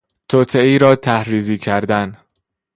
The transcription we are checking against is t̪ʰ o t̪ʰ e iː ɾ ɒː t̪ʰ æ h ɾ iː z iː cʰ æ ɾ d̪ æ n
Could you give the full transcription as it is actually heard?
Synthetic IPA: t̪ʰ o t̪ʰ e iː ɾ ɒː t̪ʰ æ h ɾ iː z iː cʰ æ ɾ d̪ æ n